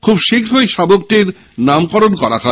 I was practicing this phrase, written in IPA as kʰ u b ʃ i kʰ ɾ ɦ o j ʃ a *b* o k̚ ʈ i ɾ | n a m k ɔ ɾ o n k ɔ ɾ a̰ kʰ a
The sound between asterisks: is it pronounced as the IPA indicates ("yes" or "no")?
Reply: yes